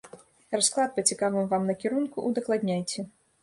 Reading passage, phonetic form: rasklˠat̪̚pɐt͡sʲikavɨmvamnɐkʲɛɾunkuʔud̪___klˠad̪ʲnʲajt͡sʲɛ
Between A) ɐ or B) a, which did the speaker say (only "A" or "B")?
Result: A